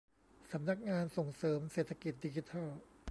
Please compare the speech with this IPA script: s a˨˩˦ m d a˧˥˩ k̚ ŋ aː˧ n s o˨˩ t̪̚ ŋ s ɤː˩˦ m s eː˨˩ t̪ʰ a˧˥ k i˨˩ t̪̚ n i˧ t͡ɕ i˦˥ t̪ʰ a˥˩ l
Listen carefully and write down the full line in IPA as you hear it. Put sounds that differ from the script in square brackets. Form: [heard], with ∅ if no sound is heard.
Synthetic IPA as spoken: s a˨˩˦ m [n] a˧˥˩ k̚ ŋ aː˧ n s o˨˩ [∅] ŋ s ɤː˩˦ m s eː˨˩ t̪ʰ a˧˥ k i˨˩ t̪̚ [d] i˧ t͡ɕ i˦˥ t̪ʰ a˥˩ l